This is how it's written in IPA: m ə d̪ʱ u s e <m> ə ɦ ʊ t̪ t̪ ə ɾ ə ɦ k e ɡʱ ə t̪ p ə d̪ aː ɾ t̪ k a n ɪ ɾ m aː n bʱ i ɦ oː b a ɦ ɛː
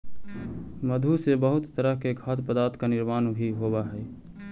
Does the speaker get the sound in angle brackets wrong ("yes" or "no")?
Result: yes